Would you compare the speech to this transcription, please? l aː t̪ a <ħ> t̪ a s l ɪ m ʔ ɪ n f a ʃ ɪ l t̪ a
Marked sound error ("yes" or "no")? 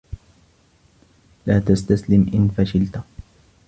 yes